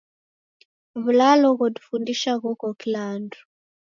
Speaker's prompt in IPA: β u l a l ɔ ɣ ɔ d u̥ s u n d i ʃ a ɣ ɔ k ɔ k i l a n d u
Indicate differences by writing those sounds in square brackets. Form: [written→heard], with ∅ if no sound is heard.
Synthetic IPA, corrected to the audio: β u l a l ɔ ɣ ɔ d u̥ [s→f] u n d i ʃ a ɣ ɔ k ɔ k i l a n d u